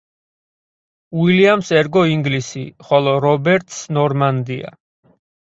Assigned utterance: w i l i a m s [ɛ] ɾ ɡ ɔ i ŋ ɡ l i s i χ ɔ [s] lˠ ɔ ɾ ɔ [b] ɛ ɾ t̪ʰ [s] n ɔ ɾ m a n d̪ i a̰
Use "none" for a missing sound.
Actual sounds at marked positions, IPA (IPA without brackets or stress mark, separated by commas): ɛ, none, b, s